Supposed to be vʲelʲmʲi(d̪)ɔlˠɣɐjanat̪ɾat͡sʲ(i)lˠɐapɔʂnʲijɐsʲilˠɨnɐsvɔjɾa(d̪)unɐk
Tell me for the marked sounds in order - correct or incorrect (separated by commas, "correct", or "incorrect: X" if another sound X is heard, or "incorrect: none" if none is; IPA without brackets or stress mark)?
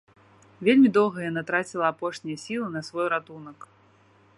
correct, correct, incorrect: t̪